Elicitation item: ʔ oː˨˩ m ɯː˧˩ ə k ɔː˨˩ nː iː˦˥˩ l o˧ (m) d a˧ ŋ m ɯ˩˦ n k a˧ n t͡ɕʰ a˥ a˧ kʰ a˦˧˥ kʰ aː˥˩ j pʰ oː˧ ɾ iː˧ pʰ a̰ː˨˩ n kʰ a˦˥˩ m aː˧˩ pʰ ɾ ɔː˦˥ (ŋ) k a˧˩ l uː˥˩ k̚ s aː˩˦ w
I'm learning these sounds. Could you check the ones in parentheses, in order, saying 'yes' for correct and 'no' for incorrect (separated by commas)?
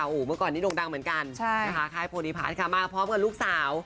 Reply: no, no